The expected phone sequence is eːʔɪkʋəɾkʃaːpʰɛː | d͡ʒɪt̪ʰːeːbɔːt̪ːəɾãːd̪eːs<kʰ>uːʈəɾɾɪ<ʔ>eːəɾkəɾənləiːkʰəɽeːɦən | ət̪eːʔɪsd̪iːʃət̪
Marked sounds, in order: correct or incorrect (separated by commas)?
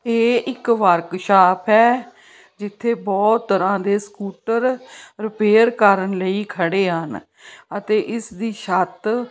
incorrect, incorrect